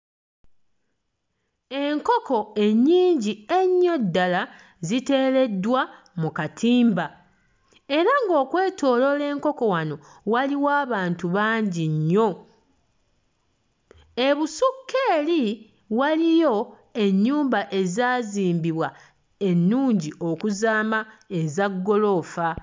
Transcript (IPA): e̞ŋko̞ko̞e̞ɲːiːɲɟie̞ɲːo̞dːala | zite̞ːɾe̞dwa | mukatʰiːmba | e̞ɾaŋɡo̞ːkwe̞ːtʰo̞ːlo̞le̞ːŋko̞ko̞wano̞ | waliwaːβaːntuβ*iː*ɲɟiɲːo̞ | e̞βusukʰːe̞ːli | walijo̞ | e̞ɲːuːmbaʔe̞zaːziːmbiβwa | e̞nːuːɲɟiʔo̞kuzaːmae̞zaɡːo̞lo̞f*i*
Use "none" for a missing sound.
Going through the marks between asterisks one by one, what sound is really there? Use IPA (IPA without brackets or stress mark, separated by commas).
aː, a